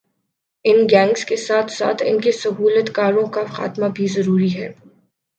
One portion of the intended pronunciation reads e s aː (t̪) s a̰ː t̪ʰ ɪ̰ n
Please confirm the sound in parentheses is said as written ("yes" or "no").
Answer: no